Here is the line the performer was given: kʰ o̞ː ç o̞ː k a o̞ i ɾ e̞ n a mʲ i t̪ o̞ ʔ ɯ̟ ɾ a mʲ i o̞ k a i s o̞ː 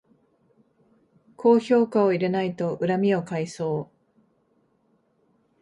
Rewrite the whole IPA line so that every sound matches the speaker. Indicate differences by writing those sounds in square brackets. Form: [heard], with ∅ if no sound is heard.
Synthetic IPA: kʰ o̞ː ç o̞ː k a o̞ i ɾ e̞ n a [∅] i t̪ o̞ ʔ ɯ̟ ɾ a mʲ i o̞ k a i s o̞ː